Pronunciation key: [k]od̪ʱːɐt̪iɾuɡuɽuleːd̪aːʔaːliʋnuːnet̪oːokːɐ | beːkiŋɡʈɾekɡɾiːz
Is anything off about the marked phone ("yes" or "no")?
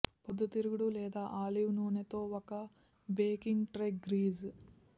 yes